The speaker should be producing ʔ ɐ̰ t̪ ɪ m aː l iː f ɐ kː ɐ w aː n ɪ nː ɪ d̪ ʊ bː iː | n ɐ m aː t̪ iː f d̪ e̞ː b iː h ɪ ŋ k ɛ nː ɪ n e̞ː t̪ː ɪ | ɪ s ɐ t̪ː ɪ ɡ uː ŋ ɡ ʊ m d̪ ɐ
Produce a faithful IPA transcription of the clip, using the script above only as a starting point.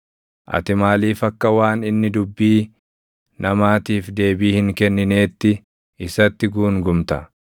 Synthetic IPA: ʔ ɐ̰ t̪ ɪ m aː l iː f ɐ kː ɐ w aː n ɪ nː ɪ d̪ ʊ bː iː | n ɐ m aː t̪ iː f d̪ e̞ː b iː h ɪ ŋ k ɛ nː ɪ n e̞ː t̪ː ɪ | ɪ s ɐ t̪ː ɪ ɡ uː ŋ ɡ ʊ m t̪ ɐ